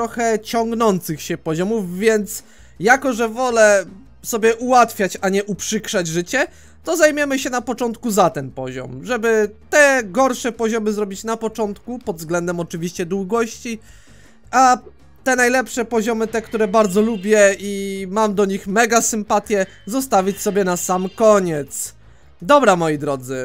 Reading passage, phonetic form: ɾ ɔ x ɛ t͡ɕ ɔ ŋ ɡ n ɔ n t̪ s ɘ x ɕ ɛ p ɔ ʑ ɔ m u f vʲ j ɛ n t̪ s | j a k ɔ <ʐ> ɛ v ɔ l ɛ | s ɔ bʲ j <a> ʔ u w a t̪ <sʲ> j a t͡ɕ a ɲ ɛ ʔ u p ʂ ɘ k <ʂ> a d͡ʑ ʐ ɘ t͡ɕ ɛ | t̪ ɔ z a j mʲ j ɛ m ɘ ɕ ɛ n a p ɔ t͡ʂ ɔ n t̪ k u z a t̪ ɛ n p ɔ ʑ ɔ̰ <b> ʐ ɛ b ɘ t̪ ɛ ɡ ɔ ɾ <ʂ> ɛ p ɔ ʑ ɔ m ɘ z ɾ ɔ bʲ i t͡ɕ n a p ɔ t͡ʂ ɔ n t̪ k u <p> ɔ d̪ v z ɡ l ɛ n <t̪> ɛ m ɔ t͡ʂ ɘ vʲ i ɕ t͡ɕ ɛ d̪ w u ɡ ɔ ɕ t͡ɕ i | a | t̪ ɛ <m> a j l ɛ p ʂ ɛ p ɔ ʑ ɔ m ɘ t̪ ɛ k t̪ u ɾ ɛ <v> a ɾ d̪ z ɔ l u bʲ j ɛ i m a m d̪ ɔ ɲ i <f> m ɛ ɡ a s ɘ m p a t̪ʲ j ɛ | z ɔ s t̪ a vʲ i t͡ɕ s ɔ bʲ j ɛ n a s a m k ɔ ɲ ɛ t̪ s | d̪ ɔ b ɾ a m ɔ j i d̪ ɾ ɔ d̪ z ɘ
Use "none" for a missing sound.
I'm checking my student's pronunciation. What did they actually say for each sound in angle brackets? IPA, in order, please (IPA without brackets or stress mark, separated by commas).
ʐ, ɛ, fʲ, ʂ, m, ʂ, p, d̪, n, b, x